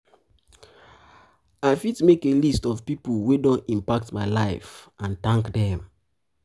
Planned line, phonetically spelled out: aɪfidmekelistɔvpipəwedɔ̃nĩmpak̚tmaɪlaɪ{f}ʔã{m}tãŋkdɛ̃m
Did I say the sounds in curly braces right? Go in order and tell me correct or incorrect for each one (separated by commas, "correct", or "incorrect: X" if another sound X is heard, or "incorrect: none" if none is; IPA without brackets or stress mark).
correct, incorrect: n